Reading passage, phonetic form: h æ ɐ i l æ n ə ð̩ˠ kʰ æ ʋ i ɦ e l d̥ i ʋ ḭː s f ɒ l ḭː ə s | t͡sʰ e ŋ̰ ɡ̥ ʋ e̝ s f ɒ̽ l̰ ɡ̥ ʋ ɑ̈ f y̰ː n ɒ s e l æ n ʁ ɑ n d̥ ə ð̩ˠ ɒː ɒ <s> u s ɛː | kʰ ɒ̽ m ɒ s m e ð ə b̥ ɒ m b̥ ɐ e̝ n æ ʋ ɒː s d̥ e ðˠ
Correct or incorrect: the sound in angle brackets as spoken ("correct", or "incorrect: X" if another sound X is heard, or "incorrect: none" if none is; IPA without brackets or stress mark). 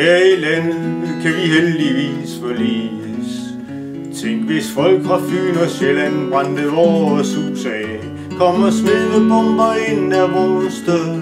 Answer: correct